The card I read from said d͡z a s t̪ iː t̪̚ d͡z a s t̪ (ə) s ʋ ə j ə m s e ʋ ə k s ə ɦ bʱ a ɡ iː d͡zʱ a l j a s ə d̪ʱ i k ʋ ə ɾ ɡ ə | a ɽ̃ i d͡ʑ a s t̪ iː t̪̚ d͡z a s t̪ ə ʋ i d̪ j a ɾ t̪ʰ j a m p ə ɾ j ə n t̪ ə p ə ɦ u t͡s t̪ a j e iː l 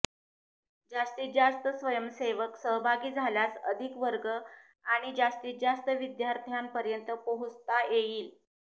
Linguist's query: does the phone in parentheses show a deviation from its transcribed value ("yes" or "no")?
no